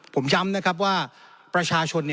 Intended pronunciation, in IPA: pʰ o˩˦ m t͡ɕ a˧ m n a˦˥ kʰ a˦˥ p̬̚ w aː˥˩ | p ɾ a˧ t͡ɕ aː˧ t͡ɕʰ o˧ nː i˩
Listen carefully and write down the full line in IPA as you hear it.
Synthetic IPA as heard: pʰ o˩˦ m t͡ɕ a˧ m n a˦˥ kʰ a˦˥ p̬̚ w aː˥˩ | p ɾ a˧ t͡ɕʰ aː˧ t͡ɕʰ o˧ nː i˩